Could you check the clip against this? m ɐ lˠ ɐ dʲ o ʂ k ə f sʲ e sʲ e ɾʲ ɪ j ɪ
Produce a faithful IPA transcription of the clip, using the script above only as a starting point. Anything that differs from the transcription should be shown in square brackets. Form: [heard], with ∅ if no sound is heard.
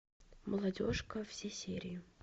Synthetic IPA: m [ə] lˠ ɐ dʲ o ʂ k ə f sʲ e sʲ e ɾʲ ɪ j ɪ